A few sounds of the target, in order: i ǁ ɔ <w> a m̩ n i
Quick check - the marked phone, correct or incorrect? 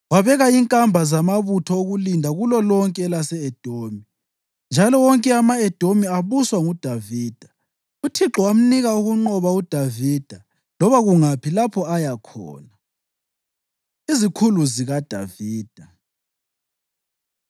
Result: correct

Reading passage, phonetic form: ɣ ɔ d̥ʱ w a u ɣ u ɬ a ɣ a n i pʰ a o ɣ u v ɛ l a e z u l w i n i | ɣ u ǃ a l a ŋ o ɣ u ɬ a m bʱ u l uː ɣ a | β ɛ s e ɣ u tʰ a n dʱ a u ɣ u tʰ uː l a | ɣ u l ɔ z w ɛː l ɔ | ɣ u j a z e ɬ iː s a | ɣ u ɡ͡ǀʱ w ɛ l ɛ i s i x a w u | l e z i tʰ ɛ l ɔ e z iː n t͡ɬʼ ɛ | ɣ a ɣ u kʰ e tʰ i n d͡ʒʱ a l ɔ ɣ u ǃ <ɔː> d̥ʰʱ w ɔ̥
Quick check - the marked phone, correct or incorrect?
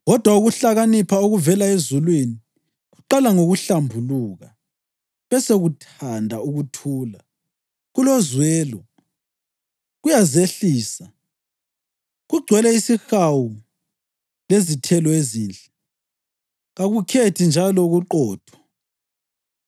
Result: correct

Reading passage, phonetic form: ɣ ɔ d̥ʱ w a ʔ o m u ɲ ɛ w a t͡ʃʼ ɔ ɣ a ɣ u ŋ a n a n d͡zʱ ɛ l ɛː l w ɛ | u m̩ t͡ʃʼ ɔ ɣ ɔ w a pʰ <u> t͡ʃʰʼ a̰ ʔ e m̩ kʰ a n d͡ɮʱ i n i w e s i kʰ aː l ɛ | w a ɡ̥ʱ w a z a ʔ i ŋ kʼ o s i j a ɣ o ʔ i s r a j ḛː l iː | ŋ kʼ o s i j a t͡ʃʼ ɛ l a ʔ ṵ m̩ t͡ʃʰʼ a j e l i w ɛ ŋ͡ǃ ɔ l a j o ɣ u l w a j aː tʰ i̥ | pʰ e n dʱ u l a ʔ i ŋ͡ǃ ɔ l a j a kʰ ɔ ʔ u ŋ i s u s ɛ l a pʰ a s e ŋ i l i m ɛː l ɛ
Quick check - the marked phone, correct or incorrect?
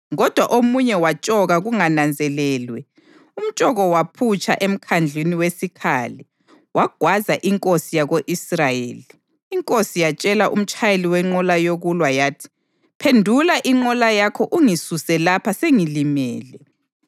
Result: correct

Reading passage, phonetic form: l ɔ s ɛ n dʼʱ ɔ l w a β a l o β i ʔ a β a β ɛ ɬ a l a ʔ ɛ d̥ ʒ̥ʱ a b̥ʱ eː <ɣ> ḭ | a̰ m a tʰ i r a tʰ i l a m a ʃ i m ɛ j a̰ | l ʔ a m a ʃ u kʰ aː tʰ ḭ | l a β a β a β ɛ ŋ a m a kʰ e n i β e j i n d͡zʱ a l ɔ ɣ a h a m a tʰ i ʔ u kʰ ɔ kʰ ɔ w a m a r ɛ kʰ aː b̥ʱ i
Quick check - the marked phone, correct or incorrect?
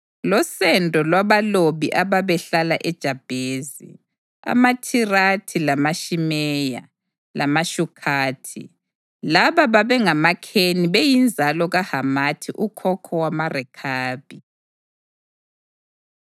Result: incorrect: z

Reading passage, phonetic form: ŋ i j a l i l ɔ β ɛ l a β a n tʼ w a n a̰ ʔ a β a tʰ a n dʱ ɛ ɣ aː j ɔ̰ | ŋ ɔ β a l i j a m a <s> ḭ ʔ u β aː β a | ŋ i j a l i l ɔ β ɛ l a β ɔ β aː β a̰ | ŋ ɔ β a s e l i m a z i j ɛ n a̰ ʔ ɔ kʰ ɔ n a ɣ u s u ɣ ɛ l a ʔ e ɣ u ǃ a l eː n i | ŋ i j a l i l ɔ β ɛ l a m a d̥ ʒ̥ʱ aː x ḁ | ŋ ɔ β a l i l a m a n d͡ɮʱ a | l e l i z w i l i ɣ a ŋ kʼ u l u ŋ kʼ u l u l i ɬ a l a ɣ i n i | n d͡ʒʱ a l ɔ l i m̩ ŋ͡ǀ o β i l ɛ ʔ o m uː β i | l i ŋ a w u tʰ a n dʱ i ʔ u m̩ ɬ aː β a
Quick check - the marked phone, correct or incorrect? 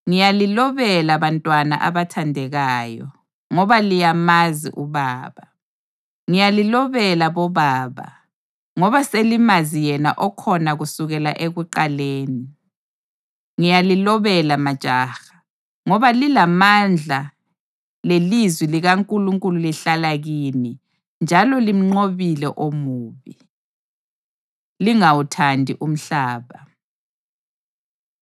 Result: incorrect: z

